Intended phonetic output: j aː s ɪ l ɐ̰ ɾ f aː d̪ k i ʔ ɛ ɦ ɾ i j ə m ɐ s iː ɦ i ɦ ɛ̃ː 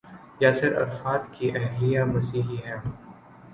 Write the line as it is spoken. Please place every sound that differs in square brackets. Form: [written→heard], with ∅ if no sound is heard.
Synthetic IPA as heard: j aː s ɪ [l→ɾ] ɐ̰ ɾ f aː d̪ k i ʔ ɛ ɦ [ɾ→l] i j [ə→a] m ɐ s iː ɦ i ɦ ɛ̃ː